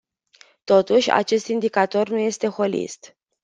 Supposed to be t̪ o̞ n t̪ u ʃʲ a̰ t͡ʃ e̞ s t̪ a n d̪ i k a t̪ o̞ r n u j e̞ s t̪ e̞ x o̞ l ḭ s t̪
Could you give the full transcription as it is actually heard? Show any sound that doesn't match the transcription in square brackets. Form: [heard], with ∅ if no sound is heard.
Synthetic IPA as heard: t̪ o̞ [∅] t̪ u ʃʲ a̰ t͡ʃ e̞ s t̪ [i] n d̪ i k a t̪ o̞ r n u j e̞ s t̪ e̞ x o̞ l ḭ s t̪